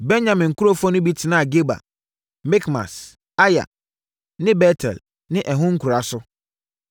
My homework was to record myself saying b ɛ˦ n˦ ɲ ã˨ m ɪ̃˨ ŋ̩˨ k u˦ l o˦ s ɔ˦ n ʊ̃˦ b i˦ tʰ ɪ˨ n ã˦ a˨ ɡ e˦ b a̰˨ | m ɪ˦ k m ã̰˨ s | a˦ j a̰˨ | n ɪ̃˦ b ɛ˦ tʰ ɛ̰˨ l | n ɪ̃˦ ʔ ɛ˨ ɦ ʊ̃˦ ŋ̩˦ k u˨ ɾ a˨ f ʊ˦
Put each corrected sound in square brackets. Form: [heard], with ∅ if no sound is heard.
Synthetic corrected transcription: b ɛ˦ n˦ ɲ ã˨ m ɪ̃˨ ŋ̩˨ k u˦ [ɾ] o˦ [f] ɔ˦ n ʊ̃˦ b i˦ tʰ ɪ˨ n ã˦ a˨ ɡ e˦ b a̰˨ | m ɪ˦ k m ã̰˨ s | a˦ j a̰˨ | n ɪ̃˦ b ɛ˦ tʰ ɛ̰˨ l | n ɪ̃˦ ʔ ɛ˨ ɦ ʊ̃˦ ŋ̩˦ k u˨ ɾ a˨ [s] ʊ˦